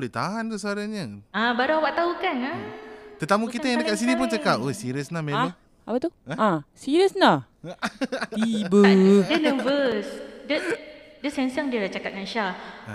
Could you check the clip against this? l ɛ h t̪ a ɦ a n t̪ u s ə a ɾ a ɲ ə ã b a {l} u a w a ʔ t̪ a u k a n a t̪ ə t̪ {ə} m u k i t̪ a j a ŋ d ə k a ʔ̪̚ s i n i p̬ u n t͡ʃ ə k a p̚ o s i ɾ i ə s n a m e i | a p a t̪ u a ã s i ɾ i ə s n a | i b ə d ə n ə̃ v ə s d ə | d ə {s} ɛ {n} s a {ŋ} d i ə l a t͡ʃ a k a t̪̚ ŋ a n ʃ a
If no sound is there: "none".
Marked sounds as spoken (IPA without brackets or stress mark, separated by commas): ɾ, a, s, n, ŋ